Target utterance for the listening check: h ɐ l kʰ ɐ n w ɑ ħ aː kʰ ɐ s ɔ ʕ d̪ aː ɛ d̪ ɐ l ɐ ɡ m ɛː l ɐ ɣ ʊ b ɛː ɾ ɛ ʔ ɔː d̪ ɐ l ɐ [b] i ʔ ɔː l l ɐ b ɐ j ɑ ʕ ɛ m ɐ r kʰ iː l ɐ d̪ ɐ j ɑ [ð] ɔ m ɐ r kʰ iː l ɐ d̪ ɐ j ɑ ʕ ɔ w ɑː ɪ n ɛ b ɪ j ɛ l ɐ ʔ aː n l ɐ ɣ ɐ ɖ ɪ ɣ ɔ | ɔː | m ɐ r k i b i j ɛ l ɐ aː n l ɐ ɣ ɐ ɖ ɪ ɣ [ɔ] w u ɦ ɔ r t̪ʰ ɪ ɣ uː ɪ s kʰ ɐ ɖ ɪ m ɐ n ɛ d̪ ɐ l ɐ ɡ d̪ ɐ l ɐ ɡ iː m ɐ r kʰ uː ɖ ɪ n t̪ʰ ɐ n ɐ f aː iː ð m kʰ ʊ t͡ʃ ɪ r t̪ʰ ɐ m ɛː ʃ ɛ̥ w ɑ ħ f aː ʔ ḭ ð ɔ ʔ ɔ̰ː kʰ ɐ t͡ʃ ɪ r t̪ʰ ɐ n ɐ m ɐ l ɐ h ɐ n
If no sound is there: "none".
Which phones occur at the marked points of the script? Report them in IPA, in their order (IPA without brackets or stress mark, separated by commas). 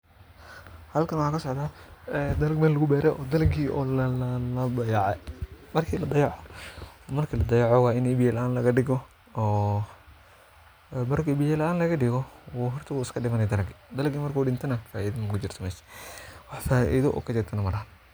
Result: ɡ, ʕ, ɔ